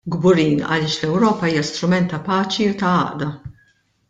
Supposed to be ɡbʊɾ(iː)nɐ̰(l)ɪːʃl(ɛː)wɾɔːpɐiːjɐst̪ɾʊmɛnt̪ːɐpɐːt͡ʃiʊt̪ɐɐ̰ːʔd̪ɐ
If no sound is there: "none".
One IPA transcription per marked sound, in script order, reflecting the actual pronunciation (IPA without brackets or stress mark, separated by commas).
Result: iː, l, ɛ